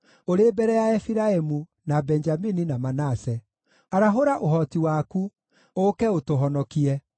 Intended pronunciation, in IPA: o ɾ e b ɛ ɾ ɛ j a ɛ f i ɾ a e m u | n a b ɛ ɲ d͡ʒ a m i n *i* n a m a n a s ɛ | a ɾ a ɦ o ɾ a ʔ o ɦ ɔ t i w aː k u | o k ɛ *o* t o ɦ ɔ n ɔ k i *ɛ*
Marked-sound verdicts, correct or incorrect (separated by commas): correct, correct, correct